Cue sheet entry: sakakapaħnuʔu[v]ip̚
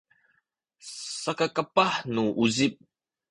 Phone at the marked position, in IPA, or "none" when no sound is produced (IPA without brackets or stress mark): z